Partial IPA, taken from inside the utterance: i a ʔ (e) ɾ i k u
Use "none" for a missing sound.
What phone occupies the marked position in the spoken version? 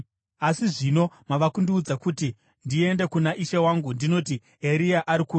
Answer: a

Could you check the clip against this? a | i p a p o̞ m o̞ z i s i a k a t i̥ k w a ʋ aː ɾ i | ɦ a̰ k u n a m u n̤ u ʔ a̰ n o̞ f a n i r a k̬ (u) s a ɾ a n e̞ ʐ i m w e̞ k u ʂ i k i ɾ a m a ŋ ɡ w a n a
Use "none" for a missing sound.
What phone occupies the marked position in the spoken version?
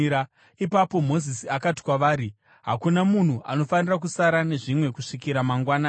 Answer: u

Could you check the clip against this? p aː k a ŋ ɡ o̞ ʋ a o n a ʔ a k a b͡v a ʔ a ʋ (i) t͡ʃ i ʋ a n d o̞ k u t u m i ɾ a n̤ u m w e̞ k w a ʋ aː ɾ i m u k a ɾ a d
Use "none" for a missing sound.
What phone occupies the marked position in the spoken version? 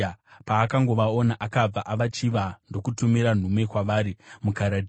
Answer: a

